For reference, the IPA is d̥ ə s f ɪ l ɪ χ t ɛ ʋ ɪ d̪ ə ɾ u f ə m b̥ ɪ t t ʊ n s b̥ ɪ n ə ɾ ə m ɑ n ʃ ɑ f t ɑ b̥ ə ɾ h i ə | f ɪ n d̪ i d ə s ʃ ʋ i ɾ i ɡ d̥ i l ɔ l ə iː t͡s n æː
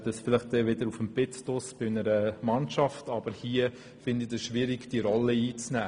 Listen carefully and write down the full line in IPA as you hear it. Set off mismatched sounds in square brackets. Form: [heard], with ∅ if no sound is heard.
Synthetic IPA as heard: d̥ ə s f ɪ l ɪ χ t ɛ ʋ ɪ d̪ ə ɾ u f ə m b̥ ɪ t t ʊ [∅] s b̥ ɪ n ə ɾ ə m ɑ n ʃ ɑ f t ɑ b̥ ə ɾ h i ə | f ɪ n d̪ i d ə s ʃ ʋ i ɾ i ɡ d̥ i [ɾ] ɔ l ə iː t͡s n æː